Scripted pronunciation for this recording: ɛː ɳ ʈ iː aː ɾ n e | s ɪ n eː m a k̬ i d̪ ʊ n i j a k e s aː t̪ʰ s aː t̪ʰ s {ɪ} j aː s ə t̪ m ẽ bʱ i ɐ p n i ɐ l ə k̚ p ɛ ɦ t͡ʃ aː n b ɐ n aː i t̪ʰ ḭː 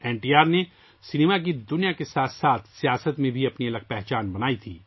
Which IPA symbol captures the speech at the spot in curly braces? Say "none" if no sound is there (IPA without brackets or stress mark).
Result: i